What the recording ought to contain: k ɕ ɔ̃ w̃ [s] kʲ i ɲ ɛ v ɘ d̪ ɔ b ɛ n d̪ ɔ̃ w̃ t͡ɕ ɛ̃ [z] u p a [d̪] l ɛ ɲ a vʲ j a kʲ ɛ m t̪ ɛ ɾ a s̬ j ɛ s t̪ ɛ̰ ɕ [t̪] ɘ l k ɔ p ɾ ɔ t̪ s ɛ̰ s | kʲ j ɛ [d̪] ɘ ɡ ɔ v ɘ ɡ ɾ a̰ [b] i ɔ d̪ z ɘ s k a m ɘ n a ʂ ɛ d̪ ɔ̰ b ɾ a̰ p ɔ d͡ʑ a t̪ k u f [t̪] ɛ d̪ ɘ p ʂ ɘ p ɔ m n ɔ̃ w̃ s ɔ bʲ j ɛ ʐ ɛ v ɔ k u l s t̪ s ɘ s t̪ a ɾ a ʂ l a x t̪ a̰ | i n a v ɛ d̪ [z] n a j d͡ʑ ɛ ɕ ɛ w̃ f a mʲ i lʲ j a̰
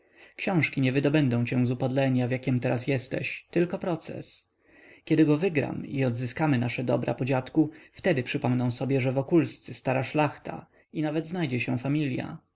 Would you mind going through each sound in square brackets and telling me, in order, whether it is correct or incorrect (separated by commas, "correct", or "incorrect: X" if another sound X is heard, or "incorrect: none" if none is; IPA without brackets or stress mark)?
incorrect: ʂ, correct, correct, correct, correct, incorrect: m, correct, correct